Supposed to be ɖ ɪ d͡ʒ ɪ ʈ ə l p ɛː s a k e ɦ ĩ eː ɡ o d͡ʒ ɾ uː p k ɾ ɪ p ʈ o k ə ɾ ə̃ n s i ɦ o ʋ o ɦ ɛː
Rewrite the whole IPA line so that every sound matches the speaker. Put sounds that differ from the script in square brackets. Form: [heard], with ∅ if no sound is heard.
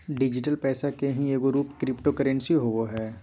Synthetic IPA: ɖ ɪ d͡ʒ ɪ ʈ ə l p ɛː s a k e ɦ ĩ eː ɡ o [∅] ɾ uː p k ɾ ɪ p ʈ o k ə ɾ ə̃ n s i ɦ o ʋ o ɦ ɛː